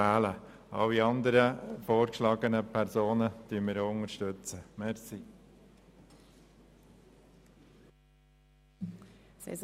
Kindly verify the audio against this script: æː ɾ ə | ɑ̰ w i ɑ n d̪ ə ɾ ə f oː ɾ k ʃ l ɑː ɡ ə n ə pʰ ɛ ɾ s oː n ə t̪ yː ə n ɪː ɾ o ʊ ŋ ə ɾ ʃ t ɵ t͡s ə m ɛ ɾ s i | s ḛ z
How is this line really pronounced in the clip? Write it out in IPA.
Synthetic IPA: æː l ə | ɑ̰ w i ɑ n d̪ ə ɾ ə f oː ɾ k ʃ l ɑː ɡ ə n ə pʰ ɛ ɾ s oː n ə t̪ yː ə m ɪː ɾ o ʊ ŋ ə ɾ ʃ t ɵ t͡s ə m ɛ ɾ s i | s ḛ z